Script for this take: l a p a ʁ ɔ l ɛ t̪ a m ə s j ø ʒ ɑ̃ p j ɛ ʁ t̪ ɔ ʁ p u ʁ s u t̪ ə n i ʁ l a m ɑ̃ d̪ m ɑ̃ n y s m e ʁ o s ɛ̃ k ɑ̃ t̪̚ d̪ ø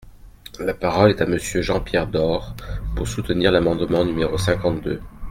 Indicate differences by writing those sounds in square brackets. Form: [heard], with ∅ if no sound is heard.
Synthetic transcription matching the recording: l a p a ʁ ɔ l ɛ t̪ a m ə s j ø ʒ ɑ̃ p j ɛ ʁ [d̪] ɔ ʁ p u ʁ s u t̪ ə n i ʁ l a m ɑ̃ d̪ m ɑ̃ n y [∅] m e ʁ o s ɛ̃ k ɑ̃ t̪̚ d̪ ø

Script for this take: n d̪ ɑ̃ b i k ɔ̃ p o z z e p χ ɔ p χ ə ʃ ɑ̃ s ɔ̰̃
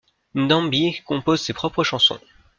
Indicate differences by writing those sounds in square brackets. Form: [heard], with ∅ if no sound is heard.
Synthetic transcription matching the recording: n d̪ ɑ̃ b i k ɔ̃ p o z [s] e p χ ɔ p χ ə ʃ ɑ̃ s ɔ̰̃

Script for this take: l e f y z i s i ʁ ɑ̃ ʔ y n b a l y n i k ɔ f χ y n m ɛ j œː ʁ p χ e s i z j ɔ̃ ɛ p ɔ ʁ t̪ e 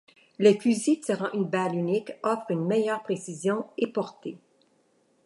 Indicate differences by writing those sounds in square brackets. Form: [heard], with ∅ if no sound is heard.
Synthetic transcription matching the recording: l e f y z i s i ʁ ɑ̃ ʔ y n b a l y n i k ɔ f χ y n m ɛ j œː ʁ p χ e s i z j ɔ̃ [e] p ɔ ʁ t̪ e

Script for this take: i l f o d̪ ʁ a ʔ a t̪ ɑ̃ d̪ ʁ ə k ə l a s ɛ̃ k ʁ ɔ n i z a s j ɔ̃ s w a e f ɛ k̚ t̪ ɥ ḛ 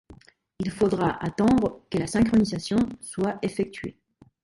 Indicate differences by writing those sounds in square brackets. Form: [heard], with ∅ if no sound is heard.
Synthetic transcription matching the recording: i l f o d̪ ʁ a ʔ a t̪ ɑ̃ d̪ ʁ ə k ə l a s ɛ̃ k [χ] ɔ n i z a s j ɔ̃ s w a e f ɛ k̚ t̪ ɥ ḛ

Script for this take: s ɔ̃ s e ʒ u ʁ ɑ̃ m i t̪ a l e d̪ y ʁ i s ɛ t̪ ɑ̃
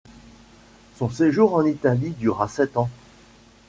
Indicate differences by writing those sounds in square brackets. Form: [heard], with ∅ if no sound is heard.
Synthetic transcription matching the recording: s ɔ̃ s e ʒ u ʁ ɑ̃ [n] i t̪ a l [i] d̪ y ʁ [a] s ɛ t̪ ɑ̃

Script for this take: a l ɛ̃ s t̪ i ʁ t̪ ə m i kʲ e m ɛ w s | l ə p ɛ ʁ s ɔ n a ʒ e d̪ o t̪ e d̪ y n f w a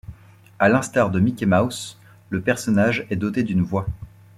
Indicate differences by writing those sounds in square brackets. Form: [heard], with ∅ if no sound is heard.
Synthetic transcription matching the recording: a l ɛ̃ s t̪ [a] ʁ [d̪] ə m i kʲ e m [a] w s | l ə p ɛ ʁ s ɔ n a ʒ [ɛ] d̪ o t̪ e d̪ y n [v] w a

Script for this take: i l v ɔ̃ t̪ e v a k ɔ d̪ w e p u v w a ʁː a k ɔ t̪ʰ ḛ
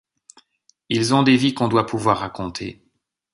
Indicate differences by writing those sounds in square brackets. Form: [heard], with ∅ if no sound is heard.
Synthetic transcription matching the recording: i l [z] ɔ̃ [d̪] e v [i] k [ɔ̃] d̪ w [a] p u v w a ʁː a k [ɔ̃] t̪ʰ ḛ

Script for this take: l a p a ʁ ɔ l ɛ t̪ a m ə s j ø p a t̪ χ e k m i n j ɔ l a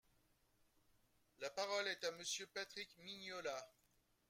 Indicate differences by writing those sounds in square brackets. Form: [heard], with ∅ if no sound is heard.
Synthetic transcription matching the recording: l a p a ʁ ɔ l ɛ t̪ a m ə s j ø p a t̪ χ [i] k m i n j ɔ l a

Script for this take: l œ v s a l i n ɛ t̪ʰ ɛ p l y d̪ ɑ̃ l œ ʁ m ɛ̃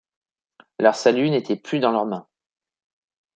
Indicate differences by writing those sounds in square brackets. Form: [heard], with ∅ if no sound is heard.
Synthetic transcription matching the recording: l œ [ʁ] s a l [y] n [e] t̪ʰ ɛ p l y d̪ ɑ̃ l œ ʁ m ɛ̃

